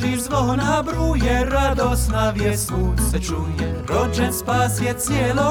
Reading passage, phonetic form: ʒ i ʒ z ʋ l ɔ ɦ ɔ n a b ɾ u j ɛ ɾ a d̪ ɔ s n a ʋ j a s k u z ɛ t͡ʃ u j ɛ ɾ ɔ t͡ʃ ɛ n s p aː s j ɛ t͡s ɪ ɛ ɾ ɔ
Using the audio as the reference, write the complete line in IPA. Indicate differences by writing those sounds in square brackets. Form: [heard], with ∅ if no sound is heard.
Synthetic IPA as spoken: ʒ i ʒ z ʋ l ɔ ɦ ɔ n a b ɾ u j ɛ ɾ a d̪ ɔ s n a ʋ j [ɛ] s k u [s] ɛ t͡ʃ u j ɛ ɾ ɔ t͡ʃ ɛ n s p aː s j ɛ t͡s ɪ ɛ [l] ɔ